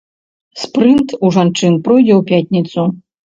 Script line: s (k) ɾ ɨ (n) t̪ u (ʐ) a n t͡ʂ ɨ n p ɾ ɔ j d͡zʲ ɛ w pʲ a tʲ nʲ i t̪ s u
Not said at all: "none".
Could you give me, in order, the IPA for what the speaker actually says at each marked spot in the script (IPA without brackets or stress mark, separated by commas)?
p, n, ʐ